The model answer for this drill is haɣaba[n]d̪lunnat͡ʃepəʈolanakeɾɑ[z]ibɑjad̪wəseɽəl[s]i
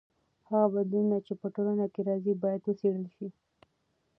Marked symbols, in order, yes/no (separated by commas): no, yes, no